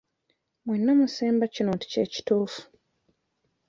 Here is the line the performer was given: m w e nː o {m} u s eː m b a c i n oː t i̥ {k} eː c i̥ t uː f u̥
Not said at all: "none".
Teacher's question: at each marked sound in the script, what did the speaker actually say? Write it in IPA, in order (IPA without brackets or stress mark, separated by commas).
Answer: m, c